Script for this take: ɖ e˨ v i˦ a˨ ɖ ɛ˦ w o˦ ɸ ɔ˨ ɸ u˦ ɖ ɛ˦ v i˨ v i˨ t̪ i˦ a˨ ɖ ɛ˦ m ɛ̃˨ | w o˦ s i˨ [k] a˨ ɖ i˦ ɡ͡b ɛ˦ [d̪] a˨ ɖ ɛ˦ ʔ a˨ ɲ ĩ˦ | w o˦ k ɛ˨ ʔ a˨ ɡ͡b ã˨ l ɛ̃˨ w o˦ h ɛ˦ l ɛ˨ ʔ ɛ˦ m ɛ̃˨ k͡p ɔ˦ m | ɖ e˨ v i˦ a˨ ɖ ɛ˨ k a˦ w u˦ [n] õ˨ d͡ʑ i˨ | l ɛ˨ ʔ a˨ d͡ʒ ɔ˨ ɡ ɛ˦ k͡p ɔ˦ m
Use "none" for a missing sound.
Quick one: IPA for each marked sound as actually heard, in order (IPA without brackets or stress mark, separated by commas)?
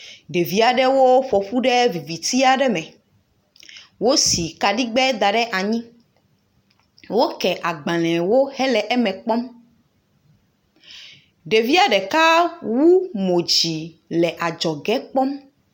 k, d̪, m